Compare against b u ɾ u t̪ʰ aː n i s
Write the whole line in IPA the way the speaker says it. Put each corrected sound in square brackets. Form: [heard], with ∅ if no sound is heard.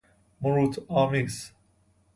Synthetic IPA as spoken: [m] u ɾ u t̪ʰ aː [m] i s